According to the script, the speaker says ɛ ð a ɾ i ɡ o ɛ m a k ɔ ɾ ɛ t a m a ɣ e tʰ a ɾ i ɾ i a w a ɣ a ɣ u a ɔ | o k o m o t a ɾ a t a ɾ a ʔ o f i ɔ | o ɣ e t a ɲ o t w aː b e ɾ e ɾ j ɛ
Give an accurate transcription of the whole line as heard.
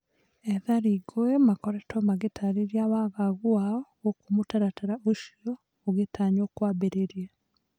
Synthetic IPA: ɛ ð a ɾ i ɡ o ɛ m a k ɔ ɾ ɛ t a m a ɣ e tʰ a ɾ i ɾ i a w a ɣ a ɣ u a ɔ | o k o m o t a ɾ a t a ɾ a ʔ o ʃ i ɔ | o ɣ e t a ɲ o k w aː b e ɾ e ɾ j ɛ